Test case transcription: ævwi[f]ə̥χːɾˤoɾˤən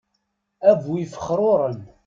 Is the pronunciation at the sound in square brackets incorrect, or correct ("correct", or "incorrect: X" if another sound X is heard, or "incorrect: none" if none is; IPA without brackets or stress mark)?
correct